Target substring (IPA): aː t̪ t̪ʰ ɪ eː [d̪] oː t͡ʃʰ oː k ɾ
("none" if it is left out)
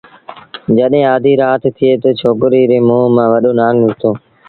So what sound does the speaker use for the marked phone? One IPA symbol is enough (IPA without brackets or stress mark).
t̪